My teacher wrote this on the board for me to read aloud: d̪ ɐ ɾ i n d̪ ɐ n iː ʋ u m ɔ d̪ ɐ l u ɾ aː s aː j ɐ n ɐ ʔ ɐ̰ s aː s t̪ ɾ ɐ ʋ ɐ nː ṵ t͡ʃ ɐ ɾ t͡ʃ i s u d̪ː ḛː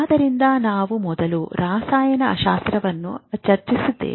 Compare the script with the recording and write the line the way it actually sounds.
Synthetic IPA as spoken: d̪ ɐ ɾ i n d̪ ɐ n aː ʋ u m ɔ d̪ ɐ l u ɾ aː s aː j ɐ n ɐ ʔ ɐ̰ ʃ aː s t̪ ɾ ɐ ʋ ɐ nː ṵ t͡ʃ ɐ ɾ t͡ʃ i s u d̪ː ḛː